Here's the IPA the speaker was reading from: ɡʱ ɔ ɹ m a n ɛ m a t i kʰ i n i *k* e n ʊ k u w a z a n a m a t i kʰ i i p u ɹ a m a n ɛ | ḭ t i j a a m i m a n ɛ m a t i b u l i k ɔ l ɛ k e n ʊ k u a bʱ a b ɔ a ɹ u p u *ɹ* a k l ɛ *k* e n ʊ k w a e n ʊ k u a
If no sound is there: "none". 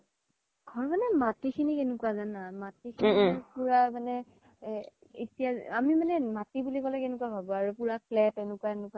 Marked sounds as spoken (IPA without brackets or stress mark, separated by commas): k, ɹ, t